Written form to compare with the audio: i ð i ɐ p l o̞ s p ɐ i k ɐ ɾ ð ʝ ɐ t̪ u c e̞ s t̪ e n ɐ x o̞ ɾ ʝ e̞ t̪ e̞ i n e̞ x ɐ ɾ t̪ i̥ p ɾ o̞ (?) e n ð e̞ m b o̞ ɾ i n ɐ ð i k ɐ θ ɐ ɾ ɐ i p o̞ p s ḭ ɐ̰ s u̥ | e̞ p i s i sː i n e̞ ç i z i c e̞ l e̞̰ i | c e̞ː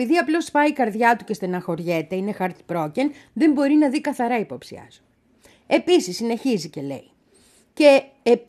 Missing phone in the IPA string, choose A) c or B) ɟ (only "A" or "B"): A